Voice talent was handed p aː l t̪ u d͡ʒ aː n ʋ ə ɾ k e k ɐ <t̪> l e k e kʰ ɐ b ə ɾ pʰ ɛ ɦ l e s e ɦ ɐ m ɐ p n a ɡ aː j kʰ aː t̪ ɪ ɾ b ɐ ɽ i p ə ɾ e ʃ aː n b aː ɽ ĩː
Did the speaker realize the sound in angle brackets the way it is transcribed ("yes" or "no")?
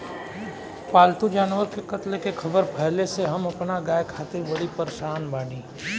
yes